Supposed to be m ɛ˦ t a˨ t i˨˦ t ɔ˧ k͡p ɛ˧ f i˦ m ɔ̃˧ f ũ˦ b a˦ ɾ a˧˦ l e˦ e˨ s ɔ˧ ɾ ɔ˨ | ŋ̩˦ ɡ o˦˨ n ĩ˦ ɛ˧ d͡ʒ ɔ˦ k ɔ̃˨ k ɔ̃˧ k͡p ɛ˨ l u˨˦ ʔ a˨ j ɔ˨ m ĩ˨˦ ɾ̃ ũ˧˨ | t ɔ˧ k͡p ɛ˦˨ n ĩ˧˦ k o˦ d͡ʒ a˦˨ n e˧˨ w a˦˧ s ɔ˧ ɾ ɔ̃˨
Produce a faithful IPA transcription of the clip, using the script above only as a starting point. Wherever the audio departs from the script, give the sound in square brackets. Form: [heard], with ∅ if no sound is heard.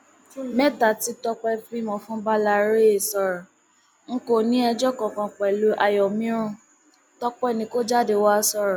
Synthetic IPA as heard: m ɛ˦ t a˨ t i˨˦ t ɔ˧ k͡p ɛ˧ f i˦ m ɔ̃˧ f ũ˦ b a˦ [l] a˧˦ [ɾ] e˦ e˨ s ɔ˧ ɾ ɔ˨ | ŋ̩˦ [k] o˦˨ n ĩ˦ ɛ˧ d͡ʒ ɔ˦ k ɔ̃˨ k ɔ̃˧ k͡p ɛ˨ l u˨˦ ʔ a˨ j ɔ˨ m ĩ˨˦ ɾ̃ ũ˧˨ | t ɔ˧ k͡p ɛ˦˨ n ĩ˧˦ k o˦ d͡ʒ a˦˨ [d] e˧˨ w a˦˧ s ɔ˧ ɾ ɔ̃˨